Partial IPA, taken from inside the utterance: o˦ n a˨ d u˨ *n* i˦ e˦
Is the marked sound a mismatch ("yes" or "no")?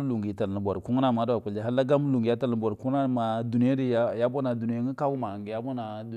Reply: no